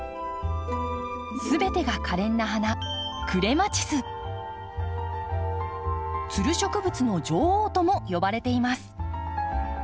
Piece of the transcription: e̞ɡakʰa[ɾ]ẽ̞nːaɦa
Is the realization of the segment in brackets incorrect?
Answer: no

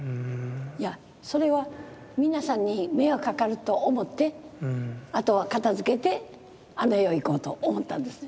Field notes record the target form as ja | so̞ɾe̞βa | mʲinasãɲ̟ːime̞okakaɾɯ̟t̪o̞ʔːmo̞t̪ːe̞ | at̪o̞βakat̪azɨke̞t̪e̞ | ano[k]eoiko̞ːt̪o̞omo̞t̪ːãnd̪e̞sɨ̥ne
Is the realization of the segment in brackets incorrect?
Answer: yes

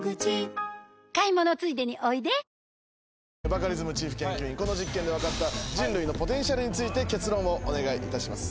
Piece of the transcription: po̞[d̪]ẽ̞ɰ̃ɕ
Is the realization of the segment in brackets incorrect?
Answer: yes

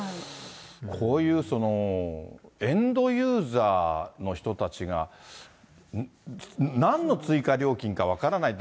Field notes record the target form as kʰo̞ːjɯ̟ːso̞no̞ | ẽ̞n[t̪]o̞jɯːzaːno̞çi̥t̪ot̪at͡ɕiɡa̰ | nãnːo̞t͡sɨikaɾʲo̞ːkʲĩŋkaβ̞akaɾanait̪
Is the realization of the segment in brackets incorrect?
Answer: yes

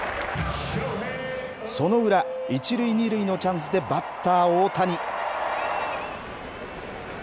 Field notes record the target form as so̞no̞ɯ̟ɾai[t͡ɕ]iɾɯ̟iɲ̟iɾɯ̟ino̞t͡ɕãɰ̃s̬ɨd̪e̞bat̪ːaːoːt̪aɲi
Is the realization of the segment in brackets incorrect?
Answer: no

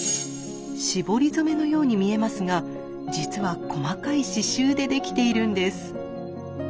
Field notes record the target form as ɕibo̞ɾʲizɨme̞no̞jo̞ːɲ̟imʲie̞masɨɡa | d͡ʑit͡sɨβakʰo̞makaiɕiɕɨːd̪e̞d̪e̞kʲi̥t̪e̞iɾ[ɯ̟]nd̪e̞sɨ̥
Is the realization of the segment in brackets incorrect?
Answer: yes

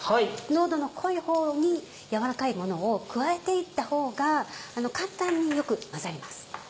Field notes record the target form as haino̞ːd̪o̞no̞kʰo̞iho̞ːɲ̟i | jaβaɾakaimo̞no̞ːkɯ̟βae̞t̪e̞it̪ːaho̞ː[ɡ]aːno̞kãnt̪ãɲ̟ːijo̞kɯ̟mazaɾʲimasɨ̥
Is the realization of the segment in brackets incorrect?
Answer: no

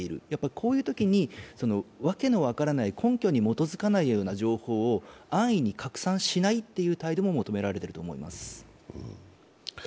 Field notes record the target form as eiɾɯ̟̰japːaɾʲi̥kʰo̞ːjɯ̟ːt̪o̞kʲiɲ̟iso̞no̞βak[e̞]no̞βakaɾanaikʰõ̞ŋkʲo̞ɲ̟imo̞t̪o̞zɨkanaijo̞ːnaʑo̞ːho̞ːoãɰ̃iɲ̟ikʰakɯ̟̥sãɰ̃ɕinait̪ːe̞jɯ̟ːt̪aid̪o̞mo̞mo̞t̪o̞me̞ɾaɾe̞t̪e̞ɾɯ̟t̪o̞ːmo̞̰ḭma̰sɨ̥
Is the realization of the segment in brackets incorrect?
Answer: no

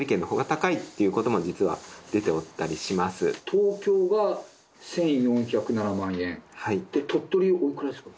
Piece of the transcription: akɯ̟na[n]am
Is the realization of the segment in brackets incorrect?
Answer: no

